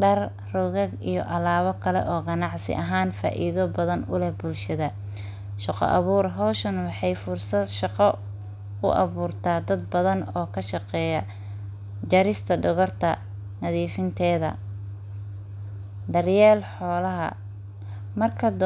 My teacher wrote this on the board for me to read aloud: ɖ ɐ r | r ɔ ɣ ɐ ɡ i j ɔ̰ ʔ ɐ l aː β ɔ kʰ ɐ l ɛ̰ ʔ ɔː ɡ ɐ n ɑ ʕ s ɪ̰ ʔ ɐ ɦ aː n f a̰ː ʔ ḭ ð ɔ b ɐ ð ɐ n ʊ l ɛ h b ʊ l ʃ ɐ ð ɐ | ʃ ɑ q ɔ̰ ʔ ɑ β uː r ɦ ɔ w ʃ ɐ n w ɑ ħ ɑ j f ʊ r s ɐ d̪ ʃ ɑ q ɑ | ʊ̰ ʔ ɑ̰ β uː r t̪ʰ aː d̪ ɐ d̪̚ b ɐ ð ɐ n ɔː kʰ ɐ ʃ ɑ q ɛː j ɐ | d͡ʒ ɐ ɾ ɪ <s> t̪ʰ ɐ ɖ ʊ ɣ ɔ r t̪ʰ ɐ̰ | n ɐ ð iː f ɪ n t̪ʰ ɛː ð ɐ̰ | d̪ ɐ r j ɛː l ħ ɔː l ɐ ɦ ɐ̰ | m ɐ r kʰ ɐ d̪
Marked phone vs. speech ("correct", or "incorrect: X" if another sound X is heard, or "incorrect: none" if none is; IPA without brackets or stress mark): correct